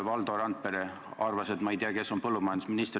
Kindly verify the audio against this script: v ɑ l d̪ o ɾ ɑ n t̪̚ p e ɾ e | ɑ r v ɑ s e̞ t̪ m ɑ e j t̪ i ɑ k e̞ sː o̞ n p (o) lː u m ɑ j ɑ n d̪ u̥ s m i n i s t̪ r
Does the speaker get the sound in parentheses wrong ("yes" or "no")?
yes